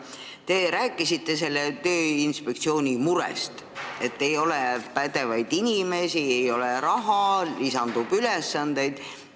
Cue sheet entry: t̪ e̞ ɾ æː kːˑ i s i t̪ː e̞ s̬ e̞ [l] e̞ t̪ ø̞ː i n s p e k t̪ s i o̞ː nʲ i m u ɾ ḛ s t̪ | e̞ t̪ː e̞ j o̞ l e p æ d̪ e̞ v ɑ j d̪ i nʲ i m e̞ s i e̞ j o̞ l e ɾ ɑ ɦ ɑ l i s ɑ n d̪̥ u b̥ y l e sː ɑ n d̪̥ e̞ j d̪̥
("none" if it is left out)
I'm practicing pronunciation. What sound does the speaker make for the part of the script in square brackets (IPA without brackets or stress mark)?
lː